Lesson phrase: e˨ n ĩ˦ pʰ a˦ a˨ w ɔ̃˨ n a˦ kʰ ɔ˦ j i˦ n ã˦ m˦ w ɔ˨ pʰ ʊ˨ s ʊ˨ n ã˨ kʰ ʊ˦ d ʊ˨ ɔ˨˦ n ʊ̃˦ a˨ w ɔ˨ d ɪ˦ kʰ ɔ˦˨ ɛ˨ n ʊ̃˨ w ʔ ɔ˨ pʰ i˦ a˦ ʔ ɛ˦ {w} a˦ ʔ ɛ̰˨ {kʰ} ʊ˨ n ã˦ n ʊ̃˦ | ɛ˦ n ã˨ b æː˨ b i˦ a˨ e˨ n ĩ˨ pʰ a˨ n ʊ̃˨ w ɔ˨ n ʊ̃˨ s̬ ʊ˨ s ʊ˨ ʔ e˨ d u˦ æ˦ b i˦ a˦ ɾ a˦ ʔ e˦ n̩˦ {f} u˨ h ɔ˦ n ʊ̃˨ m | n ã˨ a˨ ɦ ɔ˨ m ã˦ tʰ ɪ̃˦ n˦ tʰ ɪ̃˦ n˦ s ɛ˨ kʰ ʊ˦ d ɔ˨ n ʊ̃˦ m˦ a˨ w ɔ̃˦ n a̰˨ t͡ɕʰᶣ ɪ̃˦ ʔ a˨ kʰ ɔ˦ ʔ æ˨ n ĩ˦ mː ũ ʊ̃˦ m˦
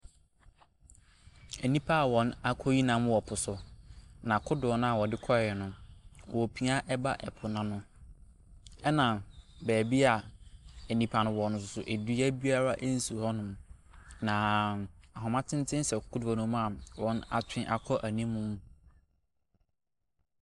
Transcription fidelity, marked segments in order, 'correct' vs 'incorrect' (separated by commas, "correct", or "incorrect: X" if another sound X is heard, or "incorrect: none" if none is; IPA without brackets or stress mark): incorrect: b, incorrect: pʰ, incorrect: s